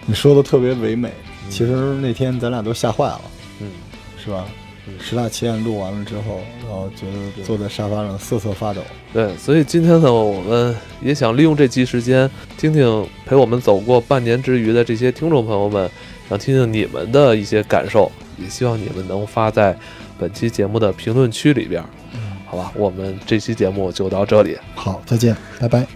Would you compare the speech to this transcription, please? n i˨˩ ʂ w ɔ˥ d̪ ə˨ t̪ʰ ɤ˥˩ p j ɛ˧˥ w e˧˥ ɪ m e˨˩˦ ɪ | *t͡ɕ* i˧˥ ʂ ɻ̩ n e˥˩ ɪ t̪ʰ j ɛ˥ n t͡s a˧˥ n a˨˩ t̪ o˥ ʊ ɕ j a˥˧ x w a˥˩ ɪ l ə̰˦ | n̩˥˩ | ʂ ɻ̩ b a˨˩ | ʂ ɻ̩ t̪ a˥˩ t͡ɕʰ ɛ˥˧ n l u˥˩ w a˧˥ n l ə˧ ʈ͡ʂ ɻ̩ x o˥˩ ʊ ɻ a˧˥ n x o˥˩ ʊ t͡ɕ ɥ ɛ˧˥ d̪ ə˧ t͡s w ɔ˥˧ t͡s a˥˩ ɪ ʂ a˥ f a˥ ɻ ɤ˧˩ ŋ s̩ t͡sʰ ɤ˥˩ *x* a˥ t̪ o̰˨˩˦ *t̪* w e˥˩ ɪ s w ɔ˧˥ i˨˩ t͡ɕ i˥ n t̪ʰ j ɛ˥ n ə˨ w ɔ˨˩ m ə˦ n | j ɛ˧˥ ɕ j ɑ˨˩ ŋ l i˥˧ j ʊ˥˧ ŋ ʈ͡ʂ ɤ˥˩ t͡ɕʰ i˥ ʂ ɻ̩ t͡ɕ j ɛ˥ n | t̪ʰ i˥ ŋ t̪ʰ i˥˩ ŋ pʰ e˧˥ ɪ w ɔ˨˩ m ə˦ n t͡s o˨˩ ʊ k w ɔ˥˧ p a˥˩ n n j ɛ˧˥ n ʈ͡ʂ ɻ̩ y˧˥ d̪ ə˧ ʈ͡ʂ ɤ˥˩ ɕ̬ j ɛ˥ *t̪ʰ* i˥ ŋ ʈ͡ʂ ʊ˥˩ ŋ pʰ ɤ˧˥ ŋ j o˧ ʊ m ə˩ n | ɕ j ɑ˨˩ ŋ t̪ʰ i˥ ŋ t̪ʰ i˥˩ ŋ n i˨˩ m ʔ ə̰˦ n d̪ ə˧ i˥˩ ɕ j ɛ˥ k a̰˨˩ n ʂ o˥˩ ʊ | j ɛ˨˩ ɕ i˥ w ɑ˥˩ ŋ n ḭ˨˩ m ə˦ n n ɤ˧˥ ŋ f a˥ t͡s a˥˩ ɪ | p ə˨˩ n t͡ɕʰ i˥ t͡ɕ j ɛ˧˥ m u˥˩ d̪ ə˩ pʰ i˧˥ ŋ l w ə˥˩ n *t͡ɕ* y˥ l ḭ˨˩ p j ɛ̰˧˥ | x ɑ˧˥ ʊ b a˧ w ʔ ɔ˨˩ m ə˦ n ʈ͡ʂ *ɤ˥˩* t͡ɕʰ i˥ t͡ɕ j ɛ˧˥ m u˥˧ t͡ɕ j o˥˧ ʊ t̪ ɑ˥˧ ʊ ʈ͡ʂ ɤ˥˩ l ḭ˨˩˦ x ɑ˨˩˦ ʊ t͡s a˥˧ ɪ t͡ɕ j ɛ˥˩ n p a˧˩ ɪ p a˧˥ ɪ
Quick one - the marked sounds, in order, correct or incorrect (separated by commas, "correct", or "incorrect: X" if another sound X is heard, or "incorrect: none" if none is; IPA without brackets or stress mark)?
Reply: incorrect: t͡ɕʰ, incorrect: f, correct, correct, incorrect: t͡ɕʰ, correct